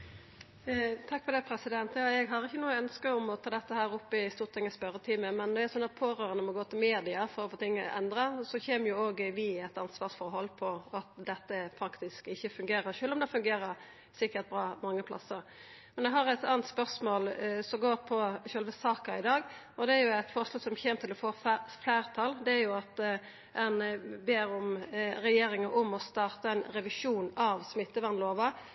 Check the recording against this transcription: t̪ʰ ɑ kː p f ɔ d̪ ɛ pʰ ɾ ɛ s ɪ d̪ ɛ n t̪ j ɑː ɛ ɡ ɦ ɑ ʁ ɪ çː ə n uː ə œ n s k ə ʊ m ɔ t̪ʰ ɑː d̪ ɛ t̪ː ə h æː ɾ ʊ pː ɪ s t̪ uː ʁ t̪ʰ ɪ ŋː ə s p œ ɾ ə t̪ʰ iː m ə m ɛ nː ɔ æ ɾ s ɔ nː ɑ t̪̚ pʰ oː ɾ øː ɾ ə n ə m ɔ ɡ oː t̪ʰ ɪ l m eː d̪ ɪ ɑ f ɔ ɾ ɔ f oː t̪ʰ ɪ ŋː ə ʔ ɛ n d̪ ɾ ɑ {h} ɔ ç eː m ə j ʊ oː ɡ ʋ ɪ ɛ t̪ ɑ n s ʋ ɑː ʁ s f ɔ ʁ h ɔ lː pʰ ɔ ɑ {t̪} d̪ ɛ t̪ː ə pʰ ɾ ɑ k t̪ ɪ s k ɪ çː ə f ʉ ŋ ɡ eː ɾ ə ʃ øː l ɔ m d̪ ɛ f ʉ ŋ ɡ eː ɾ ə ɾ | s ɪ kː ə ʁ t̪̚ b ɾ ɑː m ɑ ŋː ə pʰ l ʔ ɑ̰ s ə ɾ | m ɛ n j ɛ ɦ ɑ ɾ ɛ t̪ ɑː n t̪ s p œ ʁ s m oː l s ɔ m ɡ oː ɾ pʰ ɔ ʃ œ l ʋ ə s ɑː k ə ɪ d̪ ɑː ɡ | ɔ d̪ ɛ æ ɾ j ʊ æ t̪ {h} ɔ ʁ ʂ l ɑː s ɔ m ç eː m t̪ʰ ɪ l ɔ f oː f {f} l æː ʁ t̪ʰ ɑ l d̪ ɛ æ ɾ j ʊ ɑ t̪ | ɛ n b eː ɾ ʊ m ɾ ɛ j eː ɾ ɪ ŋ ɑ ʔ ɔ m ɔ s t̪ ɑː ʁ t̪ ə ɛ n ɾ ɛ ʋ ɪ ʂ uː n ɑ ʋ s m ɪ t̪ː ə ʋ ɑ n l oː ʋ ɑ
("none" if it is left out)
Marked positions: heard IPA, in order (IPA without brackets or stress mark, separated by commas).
s, t̪, f, f